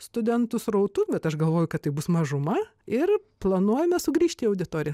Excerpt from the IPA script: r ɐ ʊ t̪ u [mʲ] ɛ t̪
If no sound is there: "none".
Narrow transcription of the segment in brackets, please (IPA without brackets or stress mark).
bʲ